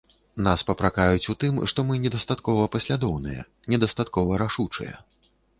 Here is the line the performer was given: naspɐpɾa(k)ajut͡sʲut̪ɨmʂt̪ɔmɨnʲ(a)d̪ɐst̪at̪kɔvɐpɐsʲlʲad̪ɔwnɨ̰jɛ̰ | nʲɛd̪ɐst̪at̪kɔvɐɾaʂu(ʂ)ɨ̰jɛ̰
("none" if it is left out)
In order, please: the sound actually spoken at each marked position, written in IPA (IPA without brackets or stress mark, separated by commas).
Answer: k, ɛ, t͡ʂ